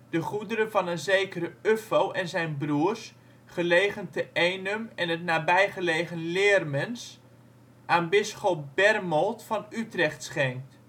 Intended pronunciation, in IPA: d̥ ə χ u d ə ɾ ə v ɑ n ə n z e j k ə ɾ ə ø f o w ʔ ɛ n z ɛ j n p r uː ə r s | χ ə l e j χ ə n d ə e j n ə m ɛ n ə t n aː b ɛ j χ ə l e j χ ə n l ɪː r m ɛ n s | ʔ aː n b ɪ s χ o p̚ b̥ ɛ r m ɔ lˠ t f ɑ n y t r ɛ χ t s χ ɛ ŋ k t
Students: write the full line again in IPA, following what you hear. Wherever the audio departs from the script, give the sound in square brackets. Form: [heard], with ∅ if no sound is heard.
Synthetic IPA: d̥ ə χ u d ə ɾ ə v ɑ n ə n z e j k ə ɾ ə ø f o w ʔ ɛ n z ɛ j n [b] r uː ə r s | χ ə l e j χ ə n [t] ə e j n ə m ɛ n ə t n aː b ɛ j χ ə l e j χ ə n l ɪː r m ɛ n s | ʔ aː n b ɪ s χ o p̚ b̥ ɛ r m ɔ lˠ t f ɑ n y t r ɛ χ t s χ ɛ ŋ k t